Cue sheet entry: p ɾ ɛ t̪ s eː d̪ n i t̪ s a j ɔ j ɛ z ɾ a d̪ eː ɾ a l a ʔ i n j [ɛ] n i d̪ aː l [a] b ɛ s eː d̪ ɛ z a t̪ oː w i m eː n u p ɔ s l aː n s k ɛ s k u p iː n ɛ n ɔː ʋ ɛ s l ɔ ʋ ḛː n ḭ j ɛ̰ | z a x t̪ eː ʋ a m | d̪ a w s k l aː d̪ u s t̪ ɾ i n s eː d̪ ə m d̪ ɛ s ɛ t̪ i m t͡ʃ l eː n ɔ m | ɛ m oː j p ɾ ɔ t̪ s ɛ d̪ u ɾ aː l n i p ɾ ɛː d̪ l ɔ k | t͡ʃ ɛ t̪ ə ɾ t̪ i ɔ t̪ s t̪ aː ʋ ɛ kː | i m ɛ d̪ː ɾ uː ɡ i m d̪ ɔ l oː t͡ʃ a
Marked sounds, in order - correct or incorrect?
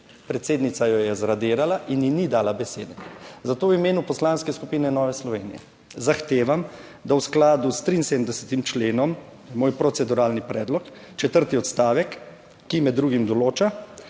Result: incorrect: i, correct

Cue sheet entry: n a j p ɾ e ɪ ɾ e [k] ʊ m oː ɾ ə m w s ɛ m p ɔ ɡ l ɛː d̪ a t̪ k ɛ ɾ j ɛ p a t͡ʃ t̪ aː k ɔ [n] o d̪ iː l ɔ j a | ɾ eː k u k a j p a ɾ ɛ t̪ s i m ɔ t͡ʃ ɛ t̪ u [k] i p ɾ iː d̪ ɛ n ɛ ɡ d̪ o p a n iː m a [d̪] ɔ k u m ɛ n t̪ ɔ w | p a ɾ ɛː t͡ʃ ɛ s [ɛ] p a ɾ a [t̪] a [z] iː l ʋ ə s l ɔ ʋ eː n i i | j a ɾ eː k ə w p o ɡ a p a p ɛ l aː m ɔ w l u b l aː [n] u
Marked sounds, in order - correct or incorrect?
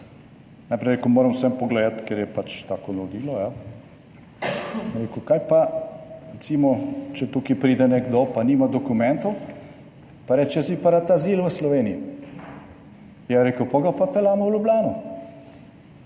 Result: correct, correct, correct, correct, incorrect: i, correct, correct, correct

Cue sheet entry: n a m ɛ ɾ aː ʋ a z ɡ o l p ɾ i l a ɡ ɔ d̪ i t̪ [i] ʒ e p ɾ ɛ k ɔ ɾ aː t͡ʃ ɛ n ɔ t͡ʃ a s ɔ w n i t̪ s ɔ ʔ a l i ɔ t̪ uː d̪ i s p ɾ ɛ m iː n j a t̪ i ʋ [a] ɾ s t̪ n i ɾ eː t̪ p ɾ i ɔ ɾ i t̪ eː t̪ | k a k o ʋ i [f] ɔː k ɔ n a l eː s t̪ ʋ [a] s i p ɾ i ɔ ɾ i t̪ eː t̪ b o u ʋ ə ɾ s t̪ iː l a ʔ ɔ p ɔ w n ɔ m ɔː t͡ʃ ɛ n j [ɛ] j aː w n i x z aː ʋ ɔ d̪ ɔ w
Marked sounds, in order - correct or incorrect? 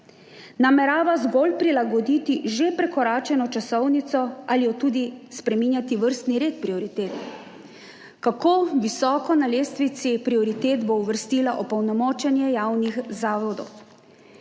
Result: correct, incorrect: ə, incorrect: s, incorrect: i, correct

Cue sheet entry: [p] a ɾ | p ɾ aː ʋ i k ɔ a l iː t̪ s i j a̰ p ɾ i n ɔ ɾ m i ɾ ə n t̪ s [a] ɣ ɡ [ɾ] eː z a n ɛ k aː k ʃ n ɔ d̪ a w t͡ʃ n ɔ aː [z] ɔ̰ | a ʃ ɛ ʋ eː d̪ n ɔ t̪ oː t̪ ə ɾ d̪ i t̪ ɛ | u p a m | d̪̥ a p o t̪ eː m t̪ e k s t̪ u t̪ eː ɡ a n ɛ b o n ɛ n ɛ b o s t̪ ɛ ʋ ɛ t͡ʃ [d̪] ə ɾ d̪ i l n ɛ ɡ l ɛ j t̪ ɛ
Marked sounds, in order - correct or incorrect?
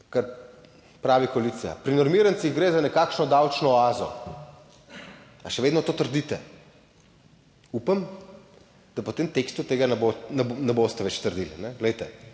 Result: incorrect: k, incorrect: i, correct, correct, incorrect: t̪

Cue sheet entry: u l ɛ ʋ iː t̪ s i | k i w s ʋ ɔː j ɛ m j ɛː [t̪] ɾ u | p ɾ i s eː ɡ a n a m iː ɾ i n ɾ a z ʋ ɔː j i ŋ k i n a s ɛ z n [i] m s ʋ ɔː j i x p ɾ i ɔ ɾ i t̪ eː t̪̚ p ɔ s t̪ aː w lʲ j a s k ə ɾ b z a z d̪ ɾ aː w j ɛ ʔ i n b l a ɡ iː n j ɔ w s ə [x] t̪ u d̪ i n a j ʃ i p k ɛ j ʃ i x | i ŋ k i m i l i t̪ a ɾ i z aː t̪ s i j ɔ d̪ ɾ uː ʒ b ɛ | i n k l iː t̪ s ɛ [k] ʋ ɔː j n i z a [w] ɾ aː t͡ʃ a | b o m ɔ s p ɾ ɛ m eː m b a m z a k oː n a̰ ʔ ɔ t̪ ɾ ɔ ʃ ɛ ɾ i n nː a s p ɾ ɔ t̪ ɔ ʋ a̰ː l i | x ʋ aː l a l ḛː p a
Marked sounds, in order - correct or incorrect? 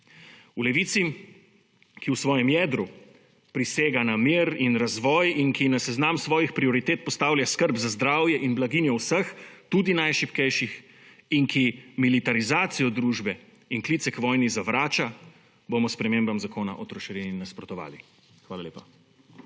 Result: incorrect: d̪, incorrect: a, correct, correct, incorrect: ʋ

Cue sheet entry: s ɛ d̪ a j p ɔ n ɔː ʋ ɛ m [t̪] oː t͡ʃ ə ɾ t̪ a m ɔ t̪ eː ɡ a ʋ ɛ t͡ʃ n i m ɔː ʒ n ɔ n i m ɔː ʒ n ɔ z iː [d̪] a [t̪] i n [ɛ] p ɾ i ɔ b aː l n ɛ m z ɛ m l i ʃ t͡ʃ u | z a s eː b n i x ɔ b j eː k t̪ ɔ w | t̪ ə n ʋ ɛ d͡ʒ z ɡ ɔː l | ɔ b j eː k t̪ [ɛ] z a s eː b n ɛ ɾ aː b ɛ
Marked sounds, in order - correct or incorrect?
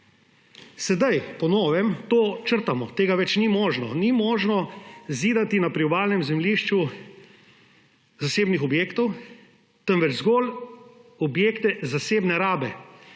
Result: correct, correct, correct, incorrect: a, correct

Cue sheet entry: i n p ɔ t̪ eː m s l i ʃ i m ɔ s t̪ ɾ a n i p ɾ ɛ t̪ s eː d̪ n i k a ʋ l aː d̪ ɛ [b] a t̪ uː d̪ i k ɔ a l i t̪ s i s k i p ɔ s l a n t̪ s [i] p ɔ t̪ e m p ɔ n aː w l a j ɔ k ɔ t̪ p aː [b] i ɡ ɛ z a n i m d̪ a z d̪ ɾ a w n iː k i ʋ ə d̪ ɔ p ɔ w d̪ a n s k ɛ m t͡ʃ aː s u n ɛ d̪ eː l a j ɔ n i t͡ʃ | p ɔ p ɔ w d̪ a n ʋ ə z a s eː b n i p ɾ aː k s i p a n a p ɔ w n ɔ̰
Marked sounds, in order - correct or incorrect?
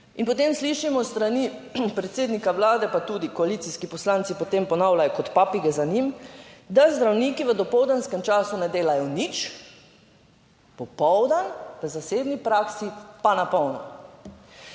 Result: incorrect: p, correct, incorrect: p

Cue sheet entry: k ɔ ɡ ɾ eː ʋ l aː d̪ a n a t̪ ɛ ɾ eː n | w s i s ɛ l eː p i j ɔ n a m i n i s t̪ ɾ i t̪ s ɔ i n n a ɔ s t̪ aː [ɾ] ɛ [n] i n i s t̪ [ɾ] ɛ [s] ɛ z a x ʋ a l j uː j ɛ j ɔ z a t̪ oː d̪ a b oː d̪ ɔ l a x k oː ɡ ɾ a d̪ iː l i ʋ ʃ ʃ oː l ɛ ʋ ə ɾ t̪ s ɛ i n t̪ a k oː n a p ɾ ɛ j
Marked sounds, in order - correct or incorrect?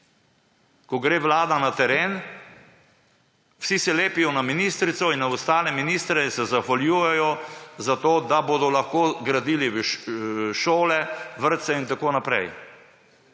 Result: incorrect: l, incorrect: m, correct, correct

